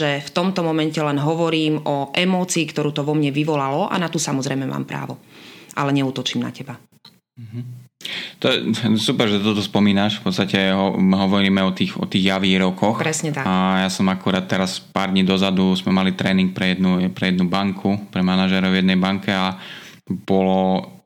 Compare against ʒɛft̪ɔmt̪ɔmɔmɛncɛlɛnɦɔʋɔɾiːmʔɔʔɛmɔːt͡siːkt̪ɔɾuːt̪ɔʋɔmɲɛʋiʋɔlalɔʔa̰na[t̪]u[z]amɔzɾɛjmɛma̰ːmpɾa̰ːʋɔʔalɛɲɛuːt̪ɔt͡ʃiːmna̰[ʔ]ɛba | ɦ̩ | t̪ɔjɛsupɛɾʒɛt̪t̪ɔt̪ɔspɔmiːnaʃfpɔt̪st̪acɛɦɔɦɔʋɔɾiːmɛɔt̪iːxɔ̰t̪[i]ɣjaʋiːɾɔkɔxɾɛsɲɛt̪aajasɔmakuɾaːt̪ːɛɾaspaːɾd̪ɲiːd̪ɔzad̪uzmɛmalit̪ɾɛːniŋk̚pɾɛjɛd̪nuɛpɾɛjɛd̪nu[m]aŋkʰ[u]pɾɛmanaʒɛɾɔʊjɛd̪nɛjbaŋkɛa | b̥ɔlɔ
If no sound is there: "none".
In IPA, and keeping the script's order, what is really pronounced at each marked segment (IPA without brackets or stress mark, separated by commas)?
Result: t̪, s, c, iː, b, u